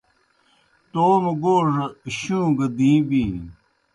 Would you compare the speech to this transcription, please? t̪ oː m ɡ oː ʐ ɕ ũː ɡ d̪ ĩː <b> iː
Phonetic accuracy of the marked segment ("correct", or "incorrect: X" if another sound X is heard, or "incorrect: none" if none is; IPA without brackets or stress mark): correct